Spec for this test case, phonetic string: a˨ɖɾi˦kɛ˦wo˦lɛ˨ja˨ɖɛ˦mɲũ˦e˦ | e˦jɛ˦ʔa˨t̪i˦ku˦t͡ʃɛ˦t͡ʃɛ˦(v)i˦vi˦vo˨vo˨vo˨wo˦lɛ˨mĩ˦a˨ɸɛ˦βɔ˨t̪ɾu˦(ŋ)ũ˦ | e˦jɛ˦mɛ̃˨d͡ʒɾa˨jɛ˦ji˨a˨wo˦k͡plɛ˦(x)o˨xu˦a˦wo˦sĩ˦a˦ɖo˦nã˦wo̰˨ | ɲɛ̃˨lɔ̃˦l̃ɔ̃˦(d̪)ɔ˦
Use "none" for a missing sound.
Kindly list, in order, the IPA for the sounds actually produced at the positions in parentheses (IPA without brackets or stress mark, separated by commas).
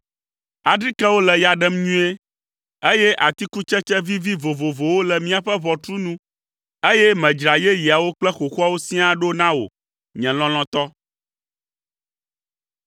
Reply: v, n, x, t̪